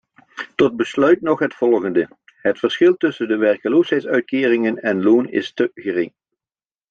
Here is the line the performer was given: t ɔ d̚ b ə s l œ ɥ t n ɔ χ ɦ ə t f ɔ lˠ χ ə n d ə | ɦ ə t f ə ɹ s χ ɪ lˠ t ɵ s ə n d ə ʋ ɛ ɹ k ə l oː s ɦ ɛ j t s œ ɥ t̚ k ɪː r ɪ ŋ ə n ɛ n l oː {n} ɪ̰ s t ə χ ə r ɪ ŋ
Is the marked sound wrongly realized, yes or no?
no